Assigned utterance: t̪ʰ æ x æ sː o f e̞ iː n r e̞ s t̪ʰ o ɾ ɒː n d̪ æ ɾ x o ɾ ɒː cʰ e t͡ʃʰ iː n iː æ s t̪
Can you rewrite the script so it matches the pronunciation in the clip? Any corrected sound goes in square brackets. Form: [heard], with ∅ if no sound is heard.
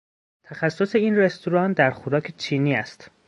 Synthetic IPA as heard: t̪ʰ æ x æ sː o [s] e̞ iː n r e̞ s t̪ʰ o ɾ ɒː n d̪ æ ɾ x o ɾ ɒː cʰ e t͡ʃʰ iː n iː æ s t̪